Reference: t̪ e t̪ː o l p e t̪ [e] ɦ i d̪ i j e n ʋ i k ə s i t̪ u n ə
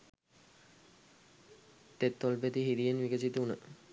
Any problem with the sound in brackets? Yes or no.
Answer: yes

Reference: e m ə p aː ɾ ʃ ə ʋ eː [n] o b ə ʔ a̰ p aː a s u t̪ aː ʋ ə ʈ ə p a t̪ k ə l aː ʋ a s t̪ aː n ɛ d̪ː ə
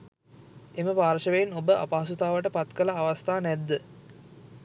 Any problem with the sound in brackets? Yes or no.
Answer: no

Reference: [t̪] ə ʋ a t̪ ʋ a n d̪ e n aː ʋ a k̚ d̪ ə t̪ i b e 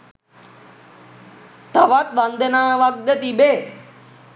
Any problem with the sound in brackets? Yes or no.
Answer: no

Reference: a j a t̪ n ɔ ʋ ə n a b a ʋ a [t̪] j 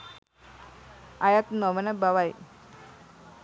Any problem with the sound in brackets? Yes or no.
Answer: yes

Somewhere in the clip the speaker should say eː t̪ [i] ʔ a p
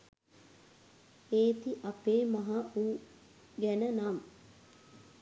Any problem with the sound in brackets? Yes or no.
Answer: no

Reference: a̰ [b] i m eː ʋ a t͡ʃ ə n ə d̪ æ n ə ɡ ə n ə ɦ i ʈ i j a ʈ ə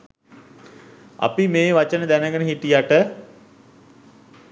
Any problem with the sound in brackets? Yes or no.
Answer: yes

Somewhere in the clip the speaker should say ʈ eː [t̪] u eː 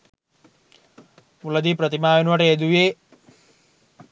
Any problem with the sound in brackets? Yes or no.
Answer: yes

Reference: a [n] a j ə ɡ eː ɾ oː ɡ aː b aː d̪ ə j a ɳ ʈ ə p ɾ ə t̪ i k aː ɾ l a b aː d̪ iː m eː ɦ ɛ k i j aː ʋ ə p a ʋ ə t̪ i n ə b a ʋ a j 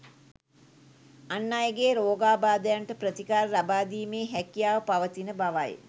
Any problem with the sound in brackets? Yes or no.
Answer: yes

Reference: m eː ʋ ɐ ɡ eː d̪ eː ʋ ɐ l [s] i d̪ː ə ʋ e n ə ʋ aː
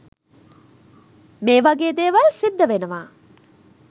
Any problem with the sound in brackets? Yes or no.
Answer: no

